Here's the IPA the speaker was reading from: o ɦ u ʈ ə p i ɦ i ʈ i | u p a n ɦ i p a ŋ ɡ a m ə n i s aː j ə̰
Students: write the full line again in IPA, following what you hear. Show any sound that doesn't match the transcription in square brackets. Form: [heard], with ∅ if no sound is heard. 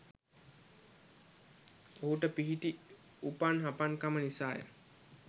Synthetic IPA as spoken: o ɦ u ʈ ə p i ɦ i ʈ i | u p a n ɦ [a] p a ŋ [k] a m ə n i s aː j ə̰